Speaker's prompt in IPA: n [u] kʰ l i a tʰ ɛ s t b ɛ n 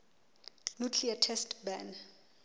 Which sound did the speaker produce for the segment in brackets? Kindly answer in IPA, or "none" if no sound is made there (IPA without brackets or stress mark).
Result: u